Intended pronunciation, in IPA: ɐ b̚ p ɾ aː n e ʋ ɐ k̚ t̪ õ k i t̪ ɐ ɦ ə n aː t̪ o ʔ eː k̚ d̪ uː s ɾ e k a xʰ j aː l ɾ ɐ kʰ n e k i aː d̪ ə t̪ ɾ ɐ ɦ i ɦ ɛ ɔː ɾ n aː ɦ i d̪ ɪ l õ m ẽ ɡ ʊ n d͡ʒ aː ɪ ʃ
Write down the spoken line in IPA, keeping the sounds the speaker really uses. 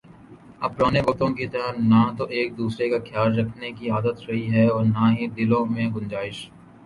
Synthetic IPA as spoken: ɐ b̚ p ɾ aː n e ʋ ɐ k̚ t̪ õ k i t̪ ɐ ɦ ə n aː t̪ o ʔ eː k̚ d̪ uː s ɾ e k a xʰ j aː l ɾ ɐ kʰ n e k i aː d̪ ə t̪ ɾ ɐ ɦ i ɦ ɛ ɔː ɾ n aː ɦ i d̪ ɪ l õ m ẽ ɡ ʊ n d͡ʒ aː ɪ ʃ